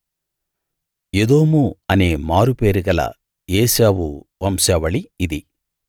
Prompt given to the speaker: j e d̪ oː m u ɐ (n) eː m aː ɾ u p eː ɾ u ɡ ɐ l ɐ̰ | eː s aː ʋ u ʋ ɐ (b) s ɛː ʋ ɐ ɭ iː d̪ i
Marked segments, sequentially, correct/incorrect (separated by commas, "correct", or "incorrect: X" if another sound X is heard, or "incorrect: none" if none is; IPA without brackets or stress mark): correct, incorrect: m